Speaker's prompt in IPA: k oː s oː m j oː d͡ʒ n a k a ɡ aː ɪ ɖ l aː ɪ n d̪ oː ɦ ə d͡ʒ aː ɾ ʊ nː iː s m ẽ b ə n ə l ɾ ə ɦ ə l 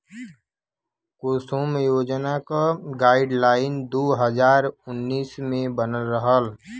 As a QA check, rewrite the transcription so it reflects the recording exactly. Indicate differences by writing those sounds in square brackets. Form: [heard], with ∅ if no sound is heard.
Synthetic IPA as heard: k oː s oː m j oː d͡ʒ n a k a ɡ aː ɪ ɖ l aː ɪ n d̪ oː ɦ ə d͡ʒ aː ɾ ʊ nː iː s m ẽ b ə n ə l ɾ ə ɦ ə l